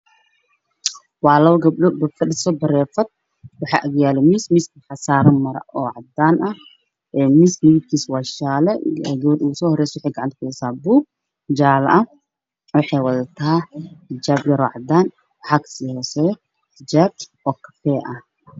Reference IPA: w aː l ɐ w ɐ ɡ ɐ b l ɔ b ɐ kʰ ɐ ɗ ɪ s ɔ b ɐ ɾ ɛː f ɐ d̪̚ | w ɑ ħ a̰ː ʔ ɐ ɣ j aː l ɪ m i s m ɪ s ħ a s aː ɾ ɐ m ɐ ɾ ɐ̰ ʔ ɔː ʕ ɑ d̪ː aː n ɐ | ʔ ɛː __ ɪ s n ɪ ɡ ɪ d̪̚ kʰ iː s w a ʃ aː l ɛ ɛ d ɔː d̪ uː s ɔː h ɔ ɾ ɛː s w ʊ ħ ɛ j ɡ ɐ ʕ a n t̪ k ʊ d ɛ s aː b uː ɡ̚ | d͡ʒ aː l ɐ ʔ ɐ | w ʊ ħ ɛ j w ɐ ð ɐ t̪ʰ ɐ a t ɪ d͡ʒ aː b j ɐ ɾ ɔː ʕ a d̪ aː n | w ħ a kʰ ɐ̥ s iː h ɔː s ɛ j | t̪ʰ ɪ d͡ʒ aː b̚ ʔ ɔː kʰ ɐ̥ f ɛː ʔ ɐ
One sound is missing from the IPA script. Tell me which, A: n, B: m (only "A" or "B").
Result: B